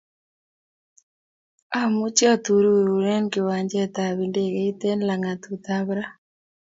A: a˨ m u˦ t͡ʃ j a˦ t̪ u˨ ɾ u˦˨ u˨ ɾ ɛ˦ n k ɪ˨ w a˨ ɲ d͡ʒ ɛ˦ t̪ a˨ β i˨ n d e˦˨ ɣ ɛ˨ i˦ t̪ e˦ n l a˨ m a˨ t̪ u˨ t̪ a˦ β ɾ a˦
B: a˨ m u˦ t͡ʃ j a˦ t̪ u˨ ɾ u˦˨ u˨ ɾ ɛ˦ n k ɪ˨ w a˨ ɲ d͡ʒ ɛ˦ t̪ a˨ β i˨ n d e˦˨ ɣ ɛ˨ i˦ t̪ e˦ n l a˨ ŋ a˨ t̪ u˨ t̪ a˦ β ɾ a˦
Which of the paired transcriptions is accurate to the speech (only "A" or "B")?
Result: B